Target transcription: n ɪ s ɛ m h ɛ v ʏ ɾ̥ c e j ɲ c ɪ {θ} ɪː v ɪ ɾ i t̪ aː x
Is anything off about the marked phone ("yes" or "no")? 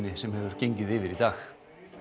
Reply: yes